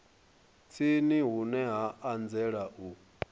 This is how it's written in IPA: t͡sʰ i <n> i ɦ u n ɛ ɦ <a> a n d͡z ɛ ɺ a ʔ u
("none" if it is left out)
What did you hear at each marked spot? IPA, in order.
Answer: n, a

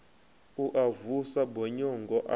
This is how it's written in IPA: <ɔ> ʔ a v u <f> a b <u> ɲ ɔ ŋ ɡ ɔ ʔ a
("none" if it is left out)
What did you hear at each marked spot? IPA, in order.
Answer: u, s, ɔ

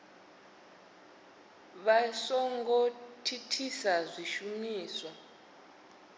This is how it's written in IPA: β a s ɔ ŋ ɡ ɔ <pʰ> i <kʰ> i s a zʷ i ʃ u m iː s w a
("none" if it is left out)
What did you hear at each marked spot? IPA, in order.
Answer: tʰ, tʰ

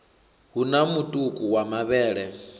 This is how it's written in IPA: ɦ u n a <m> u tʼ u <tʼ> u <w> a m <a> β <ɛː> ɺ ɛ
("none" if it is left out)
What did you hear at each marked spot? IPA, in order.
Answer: m, kʼ, w, a, ɛː

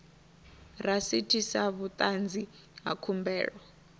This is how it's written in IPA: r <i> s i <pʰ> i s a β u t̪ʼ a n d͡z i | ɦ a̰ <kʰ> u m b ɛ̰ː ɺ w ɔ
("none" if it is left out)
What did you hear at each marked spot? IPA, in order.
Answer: a, tʰ, kʰ

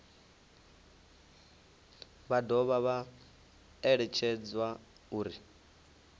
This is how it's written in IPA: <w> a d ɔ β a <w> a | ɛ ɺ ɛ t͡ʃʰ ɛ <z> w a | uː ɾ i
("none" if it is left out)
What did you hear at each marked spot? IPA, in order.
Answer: β, β, d͡z

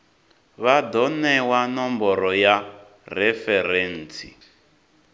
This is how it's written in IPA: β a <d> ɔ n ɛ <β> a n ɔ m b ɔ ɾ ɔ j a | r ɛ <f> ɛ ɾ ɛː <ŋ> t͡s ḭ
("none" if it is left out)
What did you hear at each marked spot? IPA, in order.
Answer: d, w, f, n

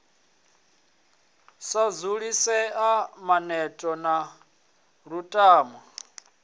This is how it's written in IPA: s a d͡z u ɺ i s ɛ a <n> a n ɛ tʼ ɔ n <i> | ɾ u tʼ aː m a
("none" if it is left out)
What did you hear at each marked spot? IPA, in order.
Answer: m, a

